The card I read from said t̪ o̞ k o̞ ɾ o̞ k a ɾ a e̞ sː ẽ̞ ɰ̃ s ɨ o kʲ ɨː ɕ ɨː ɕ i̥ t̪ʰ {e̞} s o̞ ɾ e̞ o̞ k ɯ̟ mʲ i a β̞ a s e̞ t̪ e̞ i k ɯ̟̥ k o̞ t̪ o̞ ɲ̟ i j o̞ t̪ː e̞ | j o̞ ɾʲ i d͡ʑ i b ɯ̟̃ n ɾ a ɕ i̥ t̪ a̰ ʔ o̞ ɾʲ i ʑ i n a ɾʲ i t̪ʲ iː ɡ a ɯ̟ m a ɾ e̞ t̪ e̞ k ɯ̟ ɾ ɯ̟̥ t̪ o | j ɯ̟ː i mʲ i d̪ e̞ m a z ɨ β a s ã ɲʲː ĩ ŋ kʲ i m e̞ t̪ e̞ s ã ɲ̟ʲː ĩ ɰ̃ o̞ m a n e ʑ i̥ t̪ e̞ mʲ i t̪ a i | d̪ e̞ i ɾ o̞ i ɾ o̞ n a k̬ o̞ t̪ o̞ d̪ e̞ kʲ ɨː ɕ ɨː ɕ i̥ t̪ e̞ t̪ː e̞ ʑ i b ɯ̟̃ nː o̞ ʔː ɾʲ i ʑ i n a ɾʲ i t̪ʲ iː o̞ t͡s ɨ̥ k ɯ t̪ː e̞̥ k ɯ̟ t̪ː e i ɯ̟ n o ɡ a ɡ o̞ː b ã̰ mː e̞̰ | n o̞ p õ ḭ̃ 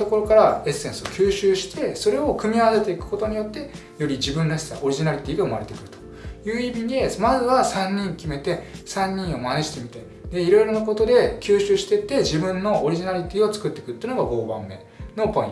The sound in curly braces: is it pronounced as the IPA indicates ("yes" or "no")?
yes